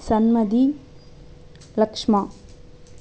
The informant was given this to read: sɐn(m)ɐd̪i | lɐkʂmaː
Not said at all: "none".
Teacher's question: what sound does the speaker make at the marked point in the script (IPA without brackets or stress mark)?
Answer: m